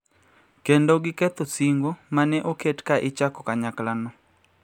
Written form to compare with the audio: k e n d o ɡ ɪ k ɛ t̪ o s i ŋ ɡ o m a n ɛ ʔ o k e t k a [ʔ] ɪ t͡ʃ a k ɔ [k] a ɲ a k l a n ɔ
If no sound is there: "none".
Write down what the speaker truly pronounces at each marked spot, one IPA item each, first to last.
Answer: ʔ, k

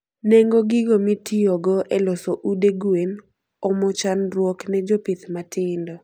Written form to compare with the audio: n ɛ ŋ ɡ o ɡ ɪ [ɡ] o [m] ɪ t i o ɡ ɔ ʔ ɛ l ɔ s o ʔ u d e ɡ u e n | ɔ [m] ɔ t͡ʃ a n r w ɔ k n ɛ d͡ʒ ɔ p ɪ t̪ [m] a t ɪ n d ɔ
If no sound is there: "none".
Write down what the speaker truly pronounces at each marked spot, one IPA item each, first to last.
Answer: ɡ, m, m, m

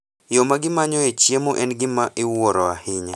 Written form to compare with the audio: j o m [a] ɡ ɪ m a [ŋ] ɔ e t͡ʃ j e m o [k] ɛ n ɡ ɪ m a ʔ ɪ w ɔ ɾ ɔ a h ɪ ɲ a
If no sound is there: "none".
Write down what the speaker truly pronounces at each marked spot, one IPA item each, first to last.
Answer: a, ɲ, ʔ

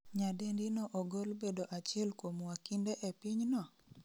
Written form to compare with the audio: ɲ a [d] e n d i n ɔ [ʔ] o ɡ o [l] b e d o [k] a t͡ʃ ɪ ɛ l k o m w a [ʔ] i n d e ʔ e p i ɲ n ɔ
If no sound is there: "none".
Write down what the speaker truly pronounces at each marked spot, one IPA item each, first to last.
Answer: d, ʔ, l, ʔ, k

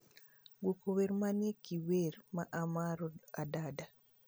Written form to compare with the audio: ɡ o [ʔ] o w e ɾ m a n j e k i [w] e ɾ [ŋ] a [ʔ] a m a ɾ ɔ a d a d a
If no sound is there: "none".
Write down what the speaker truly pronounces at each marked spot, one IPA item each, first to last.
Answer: k, w, m, ʔ

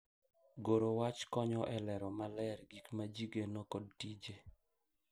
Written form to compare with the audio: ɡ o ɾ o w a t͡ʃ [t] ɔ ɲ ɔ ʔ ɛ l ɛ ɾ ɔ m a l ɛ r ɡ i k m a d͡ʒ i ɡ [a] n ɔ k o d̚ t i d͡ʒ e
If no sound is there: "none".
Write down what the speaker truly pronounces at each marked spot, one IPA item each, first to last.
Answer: k, e

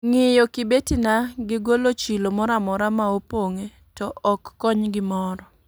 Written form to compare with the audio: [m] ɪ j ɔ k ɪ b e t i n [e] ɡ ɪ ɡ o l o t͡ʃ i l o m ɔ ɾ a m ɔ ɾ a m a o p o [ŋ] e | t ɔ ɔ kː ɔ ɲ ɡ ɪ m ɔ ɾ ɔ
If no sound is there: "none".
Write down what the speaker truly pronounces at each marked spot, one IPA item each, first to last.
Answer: ŋ, a, ŋ

